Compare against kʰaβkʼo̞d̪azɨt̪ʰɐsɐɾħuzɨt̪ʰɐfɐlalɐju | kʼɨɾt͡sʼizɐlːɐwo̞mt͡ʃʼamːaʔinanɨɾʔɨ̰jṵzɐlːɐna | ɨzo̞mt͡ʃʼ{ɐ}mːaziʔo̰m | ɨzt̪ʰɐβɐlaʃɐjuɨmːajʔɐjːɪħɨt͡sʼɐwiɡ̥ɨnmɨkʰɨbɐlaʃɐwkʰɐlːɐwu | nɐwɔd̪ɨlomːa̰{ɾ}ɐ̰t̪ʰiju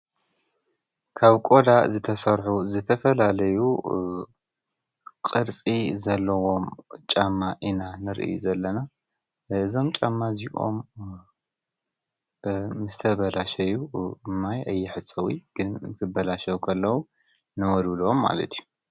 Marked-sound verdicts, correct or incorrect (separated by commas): incorrect, incorrect